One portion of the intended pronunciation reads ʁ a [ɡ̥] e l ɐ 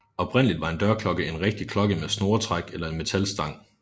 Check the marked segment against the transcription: correct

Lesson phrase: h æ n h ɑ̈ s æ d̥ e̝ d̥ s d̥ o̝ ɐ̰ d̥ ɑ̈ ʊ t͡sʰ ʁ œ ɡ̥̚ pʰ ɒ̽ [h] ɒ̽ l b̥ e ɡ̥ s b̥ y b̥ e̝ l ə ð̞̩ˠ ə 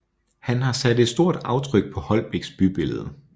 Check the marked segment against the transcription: correct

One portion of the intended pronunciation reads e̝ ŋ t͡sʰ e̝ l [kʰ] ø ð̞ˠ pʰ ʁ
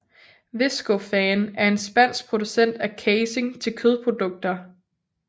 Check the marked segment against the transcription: correct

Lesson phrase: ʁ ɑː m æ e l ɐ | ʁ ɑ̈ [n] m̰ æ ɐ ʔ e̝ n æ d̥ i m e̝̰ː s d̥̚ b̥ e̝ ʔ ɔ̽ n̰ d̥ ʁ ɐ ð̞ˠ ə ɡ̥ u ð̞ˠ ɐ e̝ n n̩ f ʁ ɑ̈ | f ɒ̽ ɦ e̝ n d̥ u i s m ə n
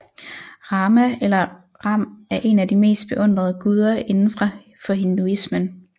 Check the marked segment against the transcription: incorrect: none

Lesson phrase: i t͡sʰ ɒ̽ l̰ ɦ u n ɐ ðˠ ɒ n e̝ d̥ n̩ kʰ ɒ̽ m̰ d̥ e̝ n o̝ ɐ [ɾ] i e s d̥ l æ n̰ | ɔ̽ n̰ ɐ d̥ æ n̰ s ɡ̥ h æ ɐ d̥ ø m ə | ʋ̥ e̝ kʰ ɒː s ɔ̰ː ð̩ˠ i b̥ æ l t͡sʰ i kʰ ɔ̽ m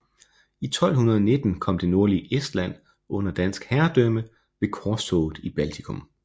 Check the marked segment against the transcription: incorrect: l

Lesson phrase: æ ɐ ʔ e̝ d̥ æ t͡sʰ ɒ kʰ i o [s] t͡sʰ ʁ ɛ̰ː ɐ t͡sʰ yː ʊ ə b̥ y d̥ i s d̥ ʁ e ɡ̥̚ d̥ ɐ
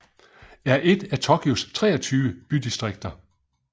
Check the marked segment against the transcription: correct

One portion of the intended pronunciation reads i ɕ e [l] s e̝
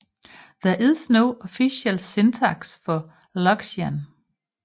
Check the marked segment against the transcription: correct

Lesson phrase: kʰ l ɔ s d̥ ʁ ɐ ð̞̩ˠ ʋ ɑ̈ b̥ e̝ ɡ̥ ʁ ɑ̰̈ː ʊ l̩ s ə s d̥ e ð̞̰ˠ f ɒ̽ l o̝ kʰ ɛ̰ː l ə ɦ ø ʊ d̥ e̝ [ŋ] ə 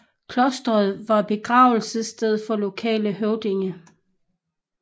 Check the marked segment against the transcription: correct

